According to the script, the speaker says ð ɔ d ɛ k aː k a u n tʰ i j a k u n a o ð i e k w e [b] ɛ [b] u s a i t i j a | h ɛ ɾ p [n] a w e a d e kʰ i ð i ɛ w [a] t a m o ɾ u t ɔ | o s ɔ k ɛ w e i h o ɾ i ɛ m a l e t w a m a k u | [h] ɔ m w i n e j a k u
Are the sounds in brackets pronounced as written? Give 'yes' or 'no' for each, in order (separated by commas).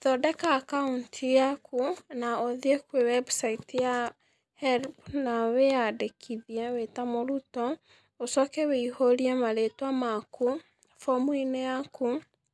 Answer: no, yes, yes, no, no